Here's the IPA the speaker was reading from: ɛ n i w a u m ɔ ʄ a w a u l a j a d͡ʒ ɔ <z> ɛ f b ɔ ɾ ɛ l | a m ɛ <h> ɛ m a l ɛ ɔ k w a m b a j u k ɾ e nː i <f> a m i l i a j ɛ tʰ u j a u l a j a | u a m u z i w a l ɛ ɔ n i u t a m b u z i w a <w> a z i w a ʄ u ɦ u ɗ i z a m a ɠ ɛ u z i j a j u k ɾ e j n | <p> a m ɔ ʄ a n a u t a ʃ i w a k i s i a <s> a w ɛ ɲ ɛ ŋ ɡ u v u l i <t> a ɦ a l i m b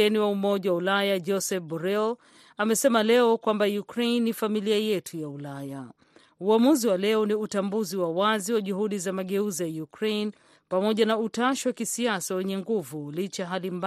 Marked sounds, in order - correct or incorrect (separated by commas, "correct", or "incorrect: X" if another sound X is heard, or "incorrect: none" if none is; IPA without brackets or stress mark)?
incorrect: s, incorrect: s, correct, correct, correct, correct, incorrect: t͡ʃ